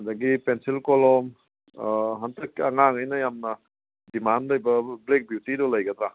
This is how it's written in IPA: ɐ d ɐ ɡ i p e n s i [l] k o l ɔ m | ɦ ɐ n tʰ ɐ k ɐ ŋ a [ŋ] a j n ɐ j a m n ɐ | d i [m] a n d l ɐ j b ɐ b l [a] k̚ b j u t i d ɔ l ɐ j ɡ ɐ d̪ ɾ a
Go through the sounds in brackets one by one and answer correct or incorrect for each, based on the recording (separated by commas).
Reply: correct, correct, correct, incorrect